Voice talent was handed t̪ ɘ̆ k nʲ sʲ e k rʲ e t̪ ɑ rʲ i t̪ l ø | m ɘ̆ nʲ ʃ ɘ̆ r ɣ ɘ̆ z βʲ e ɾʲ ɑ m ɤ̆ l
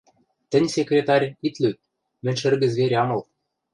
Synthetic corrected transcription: t̪ ɘ̆ nʲ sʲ e k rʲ e t̪ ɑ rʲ i t̪ l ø | m ɘ̆ nʲ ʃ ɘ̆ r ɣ ɘ̆ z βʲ e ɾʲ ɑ m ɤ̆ l